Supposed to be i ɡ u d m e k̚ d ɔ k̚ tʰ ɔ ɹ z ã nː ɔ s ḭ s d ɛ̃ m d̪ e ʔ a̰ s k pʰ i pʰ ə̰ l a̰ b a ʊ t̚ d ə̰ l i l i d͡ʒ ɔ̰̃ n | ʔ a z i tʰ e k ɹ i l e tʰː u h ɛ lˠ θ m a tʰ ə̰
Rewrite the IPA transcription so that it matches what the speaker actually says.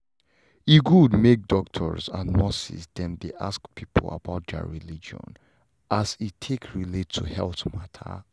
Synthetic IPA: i ɡ u d m e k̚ d ɔ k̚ tʰ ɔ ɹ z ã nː ɔ s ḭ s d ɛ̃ m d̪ e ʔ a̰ s k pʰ i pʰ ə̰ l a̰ b a ʊ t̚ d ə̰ ɹ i l i d͡ʒ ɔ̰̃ n | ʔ a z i tʰ e k ɹ i l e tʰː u h ɛ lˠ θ m a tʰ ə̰